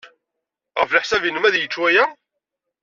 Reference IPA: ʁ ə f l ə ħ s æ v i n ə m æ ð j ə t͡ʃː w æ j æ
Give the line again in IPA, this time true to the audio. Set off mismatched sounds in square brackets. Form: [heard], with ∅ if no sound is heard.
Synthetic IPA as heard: ʁ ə f l ə ħ s æ v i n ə m æ ð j ə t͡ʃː w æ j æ